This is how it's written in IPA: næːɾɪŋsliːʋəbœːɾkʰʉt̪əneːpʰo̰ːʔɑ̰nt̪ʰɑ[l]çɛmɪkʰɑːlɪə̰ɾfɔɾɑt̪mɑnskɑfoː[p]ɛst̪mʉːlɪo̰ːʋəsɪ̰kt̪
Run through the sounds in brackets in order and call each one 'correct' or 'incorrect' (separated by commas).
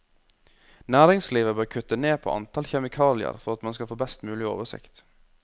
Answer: correct, incorrect